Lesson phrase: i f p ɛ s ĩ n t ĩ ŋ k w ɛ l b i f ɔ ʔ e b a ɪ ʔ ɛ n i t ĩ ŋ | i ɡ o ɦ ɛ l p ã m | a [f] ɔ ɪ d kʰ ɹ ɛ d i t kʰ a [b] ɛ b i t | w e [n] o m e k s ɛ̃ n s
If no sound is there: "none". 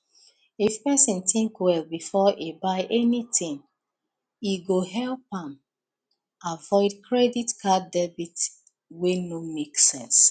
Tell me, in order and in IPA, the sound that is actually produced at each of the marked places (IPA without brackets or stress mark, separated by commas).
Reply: v, d, n